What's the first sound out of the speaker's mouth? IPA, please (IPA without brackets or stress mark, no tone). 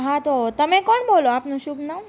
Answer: ɦ